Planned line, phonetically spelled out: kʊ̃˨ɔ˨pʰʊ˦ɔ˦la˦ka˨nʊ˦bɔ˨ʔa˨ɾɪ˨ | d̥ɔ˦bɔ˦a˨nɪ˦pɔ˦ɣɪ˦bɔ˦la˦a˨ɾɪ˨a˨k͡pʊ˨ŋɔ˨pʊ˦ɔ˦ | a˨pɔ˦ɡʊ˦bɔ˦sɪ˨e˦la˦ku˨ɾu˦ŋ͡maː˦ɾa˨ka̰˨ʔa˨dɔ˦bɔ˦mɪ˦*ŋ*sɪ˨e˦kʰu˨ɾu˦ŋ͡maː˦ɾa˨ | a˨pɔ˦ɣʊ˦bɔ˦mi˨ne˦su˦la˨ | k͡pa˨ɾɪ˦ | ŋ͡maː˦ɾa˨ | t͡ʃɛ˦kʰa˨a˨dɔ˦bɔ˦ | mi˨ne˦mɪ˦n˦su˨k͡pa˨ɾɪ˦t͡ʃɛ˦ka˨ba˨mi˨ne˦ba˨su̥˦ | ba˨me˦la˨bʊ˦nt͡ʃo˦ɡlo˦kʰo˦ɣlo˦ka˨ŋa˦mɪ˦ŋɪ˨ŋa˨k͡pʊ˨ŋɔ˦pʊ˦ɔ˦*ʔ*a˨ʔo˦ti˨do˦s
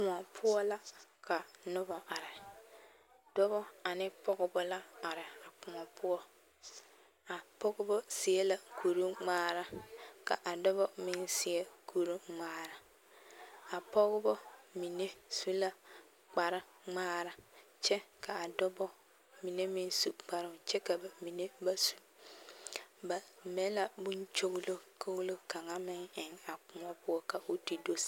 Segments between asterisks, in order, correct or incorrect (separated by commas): incorrect, incorrect